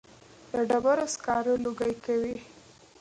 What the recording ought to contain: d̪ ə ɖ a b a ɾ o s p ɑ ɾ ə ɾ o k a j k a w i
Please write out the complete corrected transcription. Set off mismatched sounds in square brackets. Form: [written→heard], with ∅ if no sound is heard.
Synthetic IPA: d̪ ə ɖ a b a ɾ o s [p→k] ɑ ɾ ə [ɾ→l] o [k→ɡ] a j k a w i

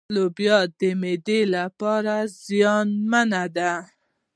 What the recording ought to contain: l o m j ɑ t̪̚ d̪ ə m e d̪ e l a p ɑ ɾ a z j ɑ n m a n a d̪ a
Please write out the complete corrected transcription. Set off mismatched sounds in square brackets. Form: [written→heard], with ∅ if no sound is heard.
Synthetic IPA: l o [m→b] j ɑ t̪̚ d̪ ə m e d̪ e l a p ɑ ɾ a z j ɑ n m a n a d̪ a

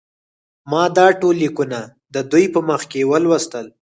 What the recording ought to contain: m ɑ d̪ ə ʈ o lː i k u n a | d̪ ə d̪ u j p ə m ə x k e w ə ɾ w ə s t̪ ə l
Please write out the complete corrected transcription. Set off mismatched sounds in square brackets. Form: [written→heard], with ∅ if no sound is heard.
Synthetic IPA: m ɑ d̪ [ə→ɑ] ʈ o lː i k u n a | d̪ ə d̪ u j p ə m ə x k e w ə [ɾ→l] w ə s t̪ ə l

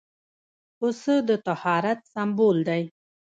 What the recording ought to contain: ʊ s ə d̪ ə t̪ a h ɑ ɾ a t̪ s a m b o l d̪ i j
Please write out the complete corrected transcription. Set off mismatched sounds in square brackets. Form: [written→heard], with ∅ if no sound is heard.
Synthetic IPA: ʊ s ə d̪ ə t̪ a h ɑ ɾ a t̪ s a m b o l d̪ [i→a] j

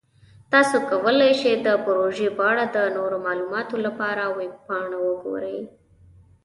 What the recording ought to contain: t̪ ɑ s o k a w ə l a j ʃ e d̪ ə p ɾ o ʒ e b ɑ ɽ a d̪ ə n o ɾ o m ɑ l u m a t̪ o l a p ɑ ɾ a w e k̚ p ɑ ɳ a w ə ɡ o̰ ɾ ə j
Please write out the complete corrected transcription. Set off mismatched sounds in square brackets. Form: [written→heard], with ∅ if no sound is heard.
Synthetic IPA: t̪ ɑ s o k a w ə l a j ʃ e d̪ ə p ɾ o ʒ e b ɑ ɽ a d̪ ə n o ɾ o m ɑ l u m [a→ɑ] t̪ o l a p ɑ ɾ a w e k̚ p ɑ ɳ a w ə ɡ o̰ ɾ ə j

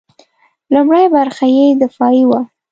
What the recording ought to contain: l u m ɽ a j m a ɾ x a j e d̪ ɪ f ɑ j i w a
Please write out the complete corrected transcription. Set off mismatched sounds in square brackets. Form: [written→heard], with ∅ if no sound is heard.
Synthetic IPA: l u m ɽ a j [m→b] a ɾ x a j e d̪ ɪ f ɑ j i w a

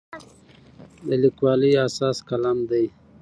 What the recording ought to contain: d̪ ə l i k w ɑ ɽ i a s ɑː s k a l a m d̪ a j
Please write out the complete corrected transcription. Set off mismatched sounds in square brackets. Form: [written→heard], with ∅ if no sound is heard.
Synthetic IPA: d̪ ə l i k w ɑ [ɽ→l] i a s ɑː s k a l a m d̪ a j

